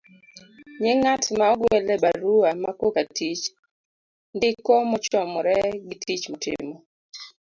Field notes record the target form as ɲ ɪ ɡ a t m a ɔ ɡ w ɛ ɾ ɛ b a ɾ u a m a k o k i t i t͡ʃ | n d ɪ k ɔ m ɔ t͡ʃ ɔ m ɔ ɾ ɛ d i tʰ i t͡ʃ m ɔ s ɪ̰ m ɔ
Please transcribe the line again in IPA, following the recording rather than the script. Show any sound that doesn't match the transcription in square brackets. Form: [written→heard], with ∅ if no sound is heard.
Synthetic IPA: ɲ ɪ [ɡ→ŋ] a t m a ɔ ɡ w ɛ [ɾ→l] ɛ b a ɾ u a m a k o k [i→a] t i t͡ʃ | n d ɪ k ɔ m ɔ t͡ʃ ɔ m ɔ ɾ ɛ [d→ɡ] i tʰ i t͡ʃ m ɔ [s→t] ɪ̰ m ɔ